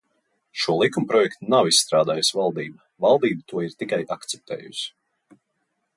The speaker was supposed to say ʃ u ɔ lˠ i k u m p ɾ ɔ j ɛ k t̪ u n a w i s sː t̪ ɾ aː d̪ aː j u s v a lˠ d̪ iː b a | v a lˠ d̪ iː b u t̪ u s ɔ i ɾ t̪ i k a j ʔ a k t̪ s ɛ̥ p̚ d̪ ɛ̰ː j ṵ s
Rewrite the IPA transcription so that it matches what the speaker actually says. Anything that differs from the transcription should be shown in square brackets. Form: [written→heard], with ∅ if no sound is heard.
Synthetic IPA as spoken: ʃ u ɔ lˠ i k u m p ɾ ɔ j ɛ k t̪ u n a w i s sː t̪ ɾ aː d̪ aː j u s v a lˠ d̪ iː b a | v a lˠ d̪ iː b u t̪ u [s→∅] ɔ i ɾ t̪ i k a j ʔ a k t̪ s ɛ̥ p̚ [d̪→t̪] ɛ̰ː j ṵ s